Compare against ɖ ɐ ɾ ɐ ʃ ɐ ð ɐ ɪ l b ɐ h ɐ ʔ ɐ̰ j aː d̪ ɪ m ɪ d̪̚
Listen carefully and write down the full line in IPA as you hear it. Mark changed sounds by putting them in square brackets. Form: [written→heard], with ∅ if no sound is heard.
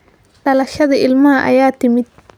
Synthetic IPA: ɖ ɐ [ɾ→l] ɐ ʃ ɐ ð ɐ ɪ l [b→m] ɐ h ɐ ʔ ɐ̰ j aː [d̪→t̪] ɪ m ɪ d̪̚